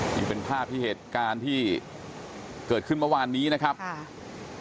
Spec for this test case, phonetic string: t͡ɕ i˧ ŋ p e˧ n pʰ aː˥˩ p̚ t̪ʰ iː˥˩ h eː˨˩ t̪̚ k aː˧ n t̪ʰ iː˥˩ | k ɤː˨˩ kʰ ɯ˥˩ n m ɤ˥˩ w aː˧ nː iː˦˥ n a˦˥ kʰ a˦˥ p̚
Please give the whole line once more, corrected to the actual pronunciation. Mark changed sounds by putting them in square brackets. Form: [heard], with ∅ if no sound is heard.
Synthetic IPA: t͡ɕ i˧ ŋ p e˧ n pʰ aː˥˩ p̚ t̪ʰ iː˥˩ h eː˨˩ t̪̚ k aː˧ n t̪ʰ iː˥˩ | k ɤː˨˩ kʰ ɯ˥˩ n m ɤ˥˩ w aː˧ nː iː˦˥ n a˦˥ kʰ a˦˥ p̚